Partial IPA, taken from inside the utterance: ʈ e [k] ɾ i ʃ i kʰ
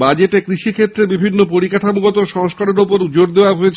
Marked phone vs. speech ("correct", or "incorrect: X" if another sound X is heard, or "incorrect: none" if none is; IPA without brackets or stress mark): correct